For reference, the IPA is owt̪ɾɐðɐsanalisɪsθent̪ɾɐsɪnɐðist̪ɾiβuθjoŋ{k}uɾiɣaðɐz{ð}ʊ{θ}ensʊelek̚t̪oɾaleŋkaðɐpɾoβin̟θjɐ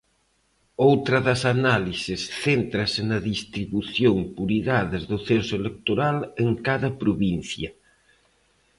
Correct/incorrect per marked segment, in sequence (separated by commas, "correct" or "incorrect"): incorrect, correct, correct